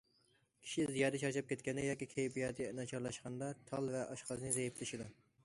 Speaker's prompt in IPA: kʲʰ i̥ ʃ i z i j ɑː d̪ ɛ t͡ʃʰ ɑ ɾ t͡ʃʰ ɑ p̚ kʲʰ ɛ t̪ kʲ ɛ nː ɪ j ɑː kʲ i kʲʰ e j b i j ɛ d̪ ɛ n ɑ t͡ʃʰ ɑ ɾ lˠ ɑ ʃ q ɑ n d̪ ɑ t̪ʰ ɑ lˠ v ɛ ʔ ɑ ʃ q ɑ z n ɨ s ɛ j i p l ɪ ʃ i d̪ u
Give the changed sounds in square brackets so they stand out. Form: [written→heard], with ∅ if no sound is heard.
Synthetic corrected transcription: kʲʰ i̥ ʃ i z i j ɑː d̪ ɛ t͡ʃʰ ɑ ɾ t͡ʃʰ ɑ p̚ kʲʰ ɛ t̪ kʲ ɛ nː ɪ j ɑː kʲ i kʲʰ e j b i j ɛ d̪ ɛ n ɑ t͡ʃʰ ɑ ɾ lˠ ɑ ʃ q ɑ n d̪ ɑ t̪ʰ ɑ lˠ v ɛ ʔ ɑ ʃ q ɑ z n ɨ [s→z] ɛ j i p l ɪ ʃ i d̪ u